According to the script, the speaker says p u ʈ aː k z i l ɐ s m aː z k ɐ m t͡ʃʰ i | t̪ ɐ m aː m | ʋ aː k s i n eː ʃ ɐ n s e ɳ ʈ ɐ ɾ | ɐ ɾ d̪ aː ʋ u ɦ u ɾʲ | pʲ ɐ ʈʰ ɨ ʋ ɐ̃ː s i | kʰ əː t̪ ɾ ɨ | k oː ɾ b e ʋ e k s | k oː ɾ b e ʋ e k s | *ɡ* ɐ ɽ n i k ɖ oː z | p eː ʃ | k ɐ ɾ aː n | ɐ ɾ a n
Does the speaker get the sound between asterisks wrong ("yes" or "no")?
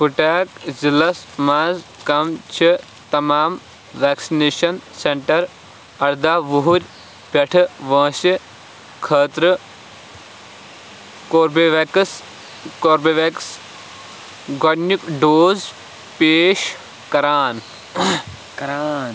no